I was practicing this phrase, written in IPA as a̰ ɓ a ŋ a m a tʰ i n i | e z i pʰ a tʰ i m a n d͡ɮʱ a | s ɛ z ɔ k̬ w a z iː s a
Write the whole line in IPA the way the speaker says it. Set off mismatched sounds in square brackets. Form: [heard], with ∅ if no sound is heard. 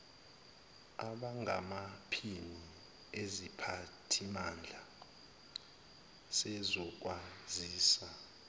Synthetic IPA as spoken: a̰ ɓ a ŋ a m a [pʰ] i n i | e z i pʰ a tʰ i m a n d͡ɮʱ a | s ɛ z ɔ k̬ w a z iː s a